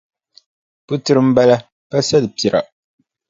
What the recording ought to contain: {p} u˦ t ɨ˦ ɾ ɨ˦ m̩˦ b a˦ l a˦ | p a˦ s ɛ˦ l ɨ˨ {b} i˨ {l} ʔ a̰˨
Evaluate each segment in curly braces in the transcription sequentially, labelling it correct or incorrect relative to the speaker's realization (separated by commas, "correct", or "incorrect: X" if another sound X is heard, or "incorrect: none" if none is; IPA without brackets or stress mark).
correct, incorrect: p, incorrect: ɾ